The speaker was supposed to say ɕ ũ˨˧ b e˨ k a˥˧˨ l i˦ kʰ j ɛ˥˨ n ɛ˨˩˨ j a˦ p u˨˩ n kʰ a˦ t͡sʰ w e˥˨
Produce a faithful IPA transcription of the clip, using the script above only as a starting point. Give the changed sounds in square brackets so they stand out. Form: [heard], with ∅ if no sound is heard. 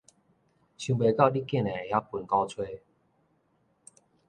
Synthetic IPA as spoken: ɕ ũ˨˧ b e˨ k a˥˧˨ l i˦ [k] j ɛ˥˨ n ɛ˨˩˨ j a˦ p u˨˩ n [k] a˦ t͡sʰ w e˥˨